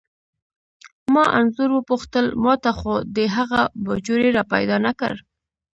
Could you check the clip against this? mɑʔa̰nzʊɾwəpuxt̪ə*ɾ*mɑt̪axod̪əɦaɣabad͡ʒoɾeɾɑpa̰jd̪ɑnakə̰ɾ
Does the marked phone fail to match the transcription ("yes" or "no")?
yes